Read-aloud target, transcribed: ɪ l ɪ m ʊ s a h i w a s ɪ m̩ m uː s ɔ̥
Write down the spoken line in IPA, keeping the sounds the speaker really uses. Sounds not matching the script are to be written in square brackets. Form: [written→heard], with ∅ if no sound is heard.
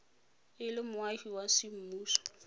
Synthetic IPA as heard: ɪ l ɪ m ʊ [s→∅] a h i w a s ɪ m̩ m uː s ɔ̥